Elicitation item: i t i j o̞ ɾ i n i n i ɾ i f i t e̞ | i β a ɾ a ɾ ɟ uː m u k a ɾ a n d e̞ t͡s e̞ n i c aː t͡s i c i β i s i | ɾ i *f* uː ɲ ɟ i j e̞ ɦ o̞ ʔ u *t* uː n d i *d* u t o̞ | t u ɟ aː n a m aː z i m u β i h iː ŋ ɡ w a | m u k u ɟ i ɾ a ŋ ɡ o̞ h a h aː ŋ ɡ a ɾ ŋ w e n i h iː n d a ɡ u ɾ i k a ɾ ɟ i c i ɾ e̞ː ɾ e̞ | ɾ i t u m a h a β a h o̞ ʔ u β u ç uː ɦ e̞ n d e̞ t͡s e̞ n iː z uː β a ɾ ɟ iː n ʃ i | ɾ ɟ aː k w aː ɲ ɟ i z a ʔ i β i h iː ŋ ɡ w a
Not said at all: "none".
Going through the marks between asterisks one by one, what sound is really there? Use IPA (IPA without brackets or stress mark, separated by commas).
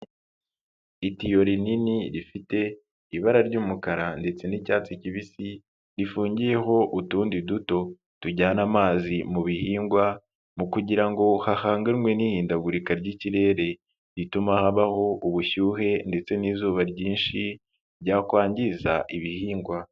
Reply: f, t, d